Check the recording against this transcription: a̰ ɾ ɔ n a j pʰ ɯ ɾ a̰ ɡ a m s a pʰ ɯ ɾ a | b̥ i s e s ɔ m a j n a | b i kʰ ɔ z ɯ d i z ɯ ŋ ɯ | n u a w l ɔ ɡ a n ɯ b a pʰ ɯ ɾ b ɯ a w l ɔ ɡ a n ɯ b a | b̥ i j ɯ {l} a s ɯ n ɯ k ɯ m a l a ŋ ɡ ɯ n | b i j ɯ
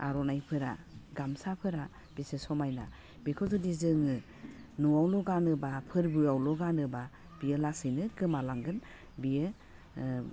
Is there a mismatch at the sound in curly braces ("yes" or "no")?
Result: no